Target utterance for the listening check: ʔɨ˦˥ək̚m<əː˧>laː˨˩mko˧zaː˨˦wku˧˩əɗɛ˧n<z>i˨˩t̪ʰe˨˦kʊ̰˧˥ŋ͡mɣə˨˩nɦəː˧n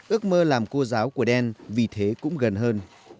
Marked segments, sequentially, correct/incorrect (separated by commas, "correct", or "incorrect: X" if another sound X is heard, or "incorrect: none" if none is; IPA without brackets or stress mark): correct, incorrect: v